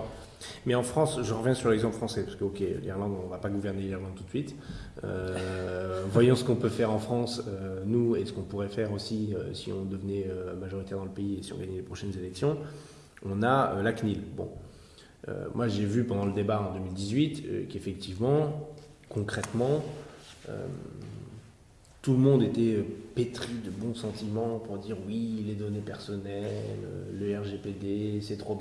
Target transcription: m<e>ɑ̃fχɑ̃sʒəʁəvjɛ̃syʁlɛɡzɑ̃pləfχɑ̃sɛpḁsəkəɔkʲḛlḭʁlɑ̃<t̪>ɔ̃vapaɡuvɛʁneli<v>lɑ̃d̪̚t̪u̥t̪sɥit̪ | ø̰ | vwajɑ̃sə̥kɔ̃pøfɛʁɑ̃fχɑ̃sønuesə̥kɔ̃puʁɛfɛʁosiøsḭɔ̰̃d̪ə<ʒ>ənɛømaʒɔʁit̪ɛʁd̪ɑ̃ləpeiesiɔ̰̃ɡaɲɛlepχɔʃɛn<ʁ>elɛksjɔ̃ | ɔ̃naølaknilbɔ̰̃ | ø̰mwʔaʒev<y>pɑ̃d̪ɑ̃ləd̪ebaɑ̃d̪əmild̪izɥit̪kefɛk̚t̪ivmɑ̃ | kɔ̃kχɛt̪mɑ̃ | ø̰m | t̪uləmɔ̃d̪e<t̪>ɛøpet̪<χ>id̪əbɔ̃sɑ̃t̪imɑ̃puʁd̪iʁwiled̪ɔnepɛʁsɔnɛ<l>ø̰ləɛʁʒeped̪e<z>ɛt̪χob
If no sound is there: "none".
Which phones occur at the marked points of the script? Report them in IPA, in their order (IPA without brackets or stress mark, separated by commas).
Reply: ɛ, d̪, ʁ, v, z, y, t̪, χ, l, s